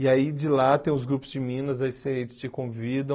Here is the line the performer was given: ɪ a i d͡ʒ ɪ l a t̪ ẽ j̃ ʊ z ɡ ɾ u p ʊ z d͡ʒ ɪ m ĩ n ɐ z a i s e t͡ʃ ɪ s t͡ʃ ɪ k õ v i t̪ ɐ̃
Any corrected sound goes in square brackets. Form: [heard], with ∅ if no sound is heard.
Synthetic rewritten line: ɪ a i d͡ʒ ɪ l a t̪ ẽ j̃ ʊ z ɡ ɾ u p ʊ z d͡ʒ ɪ m ĩ n ɐ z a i s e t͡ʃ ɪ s t͡ʃ ɪ k õ v i [d̪] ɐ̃